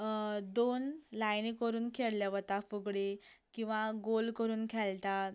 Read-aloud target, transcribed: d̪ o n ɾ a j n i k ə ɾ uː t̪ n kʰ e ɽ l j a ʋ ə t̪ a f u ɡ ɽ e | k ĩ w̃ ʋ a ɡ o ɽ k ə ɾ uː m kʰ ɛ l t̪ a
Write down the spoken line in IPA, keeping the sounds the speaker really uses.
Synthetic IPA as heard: d̪ o n l a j n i k ə ɾ uː n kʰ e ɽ l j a ʋ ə t̪ a f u ɡ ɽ e | k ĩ w̃ ʋ a ɡ o l k ə ɾ uː n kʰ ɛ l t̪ a

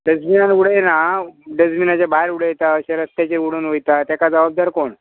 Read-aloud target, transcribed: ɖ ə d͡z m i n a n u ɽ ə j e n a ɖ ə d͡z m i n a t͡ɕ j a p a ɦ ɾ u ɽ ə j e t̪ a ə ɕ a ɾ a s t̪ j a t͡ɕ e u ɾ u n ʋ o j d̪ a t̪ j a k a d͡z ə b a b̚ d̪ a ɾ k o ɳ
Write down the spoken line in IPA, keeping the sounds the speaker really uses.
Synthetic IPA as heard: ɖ ə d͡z m i n a n u ɽ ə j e n a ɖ ə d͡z m i n a t͡ɕ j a b a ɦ ɾ u ɽ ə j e t̪ a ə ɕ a ɾ ə s t̪ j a t͡ɕ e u ɽ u n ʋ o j t̪ a t̪ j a k a d͡z ə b a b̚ d̪ a ɾ k o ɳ

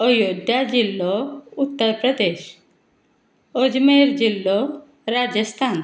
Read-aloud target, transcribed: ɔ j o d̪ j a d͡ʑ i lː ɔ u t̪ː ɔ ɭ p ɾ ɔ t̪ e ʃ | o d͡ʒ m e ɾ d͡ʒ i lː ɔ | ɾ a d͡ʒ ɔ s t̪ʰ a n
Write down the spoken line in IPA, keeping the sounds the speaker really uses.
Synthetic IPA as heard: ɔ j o d̪ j a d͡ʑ i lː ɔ u t̪ː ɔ ɾ p ɾ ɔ d̪ e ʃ | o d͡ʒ m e ɾ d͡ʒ i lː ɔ | ɾ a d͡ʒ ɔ s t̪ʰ a n

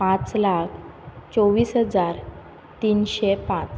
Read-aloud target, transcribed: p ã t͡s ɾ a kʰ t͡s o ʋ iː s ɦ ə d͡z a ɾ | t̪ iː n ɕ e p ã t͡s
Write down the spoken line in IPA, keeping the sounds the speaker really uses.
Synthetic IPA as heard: p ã t͡s l a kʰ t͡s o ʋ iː s ɦ ə d͡z a ɾ | t̪ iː n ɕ e p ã t͡s

